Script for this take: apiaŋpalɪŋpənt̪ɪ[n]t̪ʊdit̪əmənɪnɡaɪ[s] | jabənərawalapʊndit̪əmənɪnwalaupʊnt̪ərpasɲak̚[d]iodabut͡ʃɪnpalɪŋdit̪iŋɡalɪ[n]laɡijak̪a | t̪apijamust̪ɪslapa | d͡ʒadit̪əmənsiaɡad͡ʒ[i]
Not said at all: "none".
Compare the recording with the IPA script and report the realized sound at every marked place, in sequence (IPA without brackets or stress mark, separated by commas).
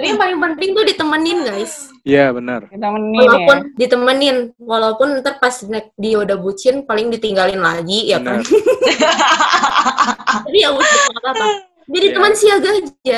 ŋ, s, d, n, a